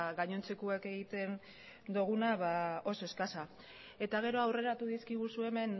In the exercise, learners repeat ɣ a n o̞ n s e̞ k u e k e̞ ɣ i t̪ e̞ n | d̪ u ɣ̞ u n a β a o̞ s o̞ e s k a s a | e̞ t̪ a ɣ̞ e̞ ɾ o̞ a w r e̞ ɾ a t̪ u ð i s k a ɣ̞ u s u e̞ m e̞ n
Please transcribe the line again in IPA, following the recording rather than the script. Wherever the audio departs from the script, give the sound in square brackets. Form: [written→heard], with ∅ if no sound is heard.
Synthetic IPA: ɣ a [n→ɲ] o̞ n [s→t͡s] e̞ k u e k e̞ ɣ i t̪ e̞ n | d̪ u ɣ̞ u n a β a o̞ s o̞ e s k a s a | e̞ t̪ a ɣ̞ e̞ ɾ o̞ a w r e̞ ɾ a t̪ u ð i s k [a→i] ɣ̞ u s u e̞ m e̞ n